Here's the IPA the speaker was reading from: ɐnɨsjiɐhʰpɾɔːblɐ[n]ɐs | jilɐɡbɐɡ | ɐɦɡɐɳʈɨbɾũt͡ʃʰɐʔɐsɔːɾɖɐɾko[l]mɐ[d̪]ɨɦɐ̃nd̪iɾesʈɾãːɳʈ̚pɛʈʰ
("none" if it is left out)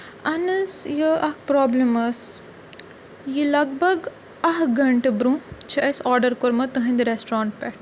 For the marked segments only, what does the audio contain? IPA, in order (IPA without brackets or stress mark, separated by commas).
m, ɾ, t̪